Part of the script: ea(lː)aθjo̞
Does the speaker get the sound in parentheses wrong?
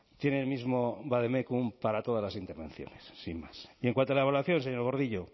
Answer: yes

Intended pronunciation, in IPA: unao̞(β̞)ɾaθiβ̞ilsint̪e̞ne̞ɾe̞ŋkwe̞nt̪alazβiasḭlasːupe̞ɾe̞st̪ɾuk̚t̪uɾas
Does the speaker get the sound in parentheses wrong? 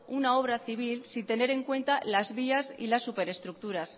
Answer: no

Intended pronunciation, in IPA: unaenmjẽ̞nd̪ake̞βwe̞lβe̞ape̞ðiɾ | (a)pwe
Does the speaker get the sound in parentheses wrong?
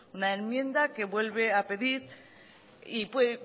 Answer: yes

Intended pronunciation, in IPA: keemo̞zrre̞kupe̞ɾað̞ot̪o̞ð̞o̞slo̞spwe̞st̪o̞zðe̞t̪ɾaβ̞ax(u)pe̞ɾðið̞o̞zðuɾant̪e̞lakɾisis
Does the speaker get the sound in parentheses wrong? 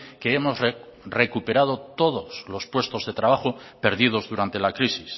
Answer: yes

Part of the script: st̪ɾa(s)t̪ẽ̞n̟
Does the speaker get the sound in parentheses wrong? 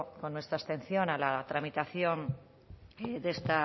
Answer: no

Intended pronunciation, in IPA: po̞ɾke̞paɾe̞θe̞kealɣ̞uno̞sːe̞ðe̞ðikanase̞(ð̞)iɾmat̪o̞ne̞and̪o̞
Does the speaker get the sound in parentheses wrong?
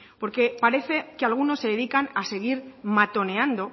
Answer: yes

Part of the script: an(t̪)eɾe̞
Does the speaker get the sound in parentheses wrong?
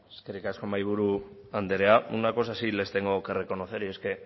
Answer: yes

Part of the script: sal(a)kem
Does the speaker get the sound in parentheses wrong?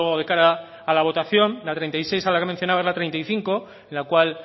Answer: no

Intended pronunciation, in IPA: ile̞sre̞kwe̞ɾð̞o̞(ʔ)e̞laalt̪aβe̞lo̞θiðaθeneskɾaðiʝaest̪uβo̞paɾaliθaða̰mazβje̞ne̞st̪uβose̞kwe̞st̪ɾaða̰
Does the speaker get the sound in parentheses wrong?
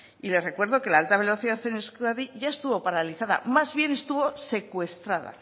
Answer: yes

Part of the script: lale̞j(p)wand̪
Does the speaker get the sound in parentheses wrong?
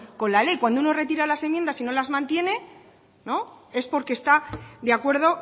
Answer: yes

